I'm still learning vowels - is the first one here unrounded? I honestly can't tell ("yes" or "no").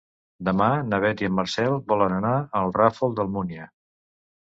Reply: yes